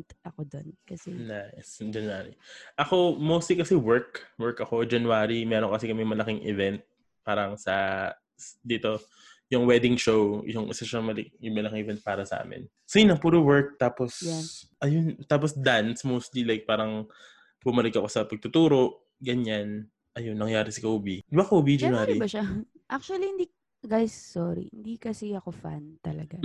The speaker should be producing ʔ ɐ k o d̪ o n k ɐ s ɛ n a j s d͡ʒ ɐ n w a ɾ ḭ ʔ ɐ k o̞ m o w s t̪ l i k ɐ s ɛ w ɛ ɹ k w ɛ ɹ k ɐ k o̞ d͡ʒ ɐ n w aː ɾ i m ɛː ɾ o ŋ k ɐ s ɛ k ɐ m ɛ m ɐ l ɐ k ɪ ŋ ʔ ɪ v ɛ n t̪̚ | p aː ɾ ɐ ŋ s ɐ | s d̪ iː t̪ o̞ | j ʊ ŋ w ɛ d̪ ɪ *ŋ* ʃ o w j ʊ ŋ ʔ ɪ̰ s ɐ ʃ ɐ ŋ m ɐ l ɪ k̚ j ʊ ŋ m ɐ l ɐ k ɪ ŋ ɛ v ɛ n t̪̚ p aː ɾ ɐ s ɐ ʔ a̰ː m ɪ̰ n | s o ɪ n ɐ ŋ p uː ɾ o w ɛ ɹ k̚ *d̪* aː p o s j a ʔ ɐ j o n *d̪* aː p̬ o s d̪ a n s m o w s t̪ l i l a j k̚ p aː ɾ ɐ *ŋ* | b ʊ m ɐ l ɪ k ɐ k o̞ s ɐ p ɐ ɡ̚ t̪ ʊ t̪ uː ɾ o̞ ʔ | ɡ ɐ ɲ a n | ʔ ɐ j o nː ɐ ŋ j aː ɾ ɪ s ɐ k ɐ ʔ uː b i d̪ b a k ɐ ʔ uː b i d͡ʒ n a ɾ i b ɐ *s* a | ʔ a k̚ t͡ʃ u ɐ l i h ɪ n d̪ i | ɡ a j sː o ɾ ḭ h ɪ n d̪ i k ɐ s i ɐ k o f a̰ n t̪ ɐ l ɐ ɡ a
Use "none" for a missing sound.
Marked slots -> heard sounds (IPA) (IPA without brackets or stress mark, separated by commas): ŋ, t̪, t̪, ŋ, ʃ